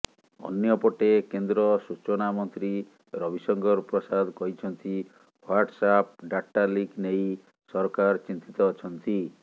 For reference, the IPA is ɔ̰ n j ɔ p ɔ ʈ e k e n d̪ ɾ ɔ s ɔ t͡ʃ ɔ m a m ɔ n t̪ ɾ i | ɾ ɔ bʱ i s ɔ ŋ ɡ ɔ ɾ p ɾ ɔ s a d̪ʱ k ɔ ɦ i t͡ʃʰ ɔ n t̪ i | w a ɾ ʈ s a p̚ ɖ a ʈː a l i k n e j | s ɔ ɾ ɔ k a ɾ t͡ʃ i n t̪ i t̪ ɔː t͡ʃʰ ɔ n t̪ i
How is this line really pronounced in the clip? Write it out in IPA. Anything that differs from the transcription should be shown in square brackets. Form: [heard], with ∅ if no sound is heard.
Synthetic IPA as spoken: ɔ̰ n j ɔ p ɔ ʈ e k e n d̪ ɾ ɔ s [u] t͡ʃ ɔ [n] a m ɔ n t̪ ɾ i | ɾ ɔ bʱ i s ɔ ŋ ɡ ɔ ɾ p ɾ ɔ s a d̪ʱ k ɔ ɦ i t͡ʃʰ ɔ n t̪ i | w a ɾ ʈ s a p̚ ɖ a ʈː a l i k n e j | s ɔ ɾ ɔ k a ɾ t͡ʃ i n t̪ i t̪ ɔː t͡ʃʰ ɔ n t̪ i